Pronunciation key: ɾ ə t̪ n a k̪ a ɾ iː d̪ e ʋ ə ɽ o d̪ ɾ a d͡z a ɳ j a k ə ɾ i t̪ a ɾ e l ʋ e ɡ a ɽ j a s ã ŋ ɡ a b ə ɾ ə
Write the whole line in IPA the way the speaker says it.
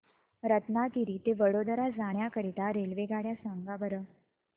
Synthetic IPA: ɾ ə t̪ n a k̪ i ɾ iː t̪ e ʋ ə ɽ o d̪ ɾ a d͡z a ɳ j a k ə ɾ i t̪ a ɾ e l ʋ e ɡ a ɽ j a s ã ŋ ɡ a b ə ɾ ə